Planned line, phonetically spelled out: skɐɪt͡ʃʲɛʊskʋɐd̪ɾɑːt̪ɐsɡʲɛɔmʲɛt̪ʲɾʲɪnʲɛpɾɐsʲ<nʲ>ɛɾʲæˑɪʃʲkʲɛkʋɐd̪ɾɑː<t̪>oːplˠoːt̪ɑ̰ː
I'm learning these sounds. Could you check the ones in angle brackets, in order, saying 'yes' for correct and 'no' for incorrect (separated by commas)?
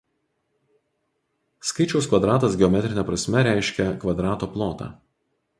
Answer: no, yes